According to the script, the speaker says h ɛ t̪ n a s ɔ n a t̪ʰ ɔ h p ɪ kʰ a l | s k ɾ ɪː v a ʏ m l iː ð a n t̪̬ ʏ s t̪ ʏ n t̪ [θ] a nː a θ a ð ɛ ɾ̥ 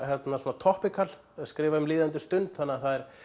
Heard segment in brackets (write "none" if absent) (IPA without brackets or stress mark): θ